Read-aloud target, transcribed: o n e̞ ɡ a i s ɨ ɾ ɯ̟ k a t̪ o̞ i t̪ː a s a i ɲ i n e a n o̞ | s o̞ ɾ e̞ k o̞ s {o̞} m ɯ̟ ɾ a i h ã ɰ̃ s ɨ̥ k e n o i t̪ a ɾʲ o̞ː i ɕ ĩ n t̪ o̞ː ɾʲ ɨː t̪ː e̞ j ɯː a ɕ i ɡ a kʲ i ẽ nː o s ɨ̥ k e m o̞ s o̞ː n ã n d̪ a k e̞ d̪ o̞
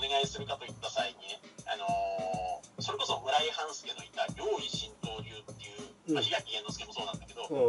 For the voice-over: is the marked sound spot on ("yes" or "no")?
yes